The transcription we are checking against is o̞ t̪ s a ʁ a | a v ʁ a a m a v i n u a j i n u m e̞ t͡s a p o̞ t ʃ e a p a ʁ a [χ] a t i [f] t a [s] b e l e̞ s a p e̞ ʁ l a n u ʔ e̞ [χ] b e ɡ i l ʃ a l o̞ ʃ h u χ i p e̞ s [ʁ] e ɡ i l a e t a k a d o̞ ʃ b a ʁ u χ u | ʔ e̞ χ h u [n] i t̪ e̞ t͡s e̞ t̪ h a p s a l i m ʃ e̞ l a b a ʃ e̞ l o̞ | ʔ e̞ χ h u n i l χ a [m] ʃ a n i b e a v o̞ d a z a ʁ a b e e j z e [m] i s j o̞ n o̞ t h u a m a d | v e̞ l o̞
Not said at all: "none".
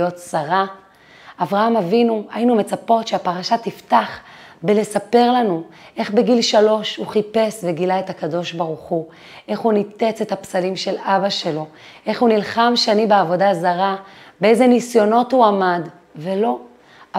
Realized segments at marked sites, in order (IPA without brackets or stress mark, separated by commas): ʃ, f, χ, χ, v, n, m, n